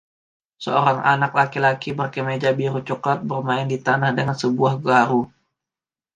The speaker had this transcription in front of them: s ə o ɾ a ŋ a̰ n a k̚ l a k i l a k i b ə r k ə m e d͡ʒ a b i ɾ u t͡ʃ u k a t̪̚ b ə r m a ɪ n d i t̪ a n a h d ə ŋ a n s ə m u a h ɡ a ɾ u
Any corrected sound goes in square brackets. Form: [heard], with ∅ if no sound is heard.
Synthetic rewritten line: s ə o ɾ a ŋ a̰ n a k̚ l a k i l a k i b ə r k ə m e d͡ʒ a b i ɾ u t͡ʃ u k a t̪̚ b ə r m a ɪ n d i t̪ a n a h d ə ŋ a n s ə [b] u a h ɡ a ɾ u